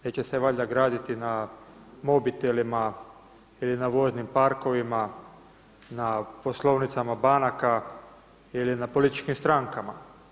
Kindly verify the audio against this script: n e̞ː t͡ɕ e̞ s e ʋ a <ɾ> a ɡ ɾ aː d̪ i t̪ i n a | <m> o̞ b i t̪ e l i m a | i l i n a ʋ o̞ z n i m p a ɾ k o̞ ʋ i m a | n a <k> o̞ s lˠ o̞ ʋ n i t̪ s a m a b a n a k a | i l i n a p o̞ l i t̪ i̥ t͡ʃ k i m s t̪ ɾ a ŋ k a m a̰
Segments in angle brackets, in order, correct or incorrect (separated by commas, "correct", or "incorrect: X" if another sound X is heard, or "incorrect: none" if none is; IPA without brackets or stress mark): incorrect: ʎ, correct, incorrect: p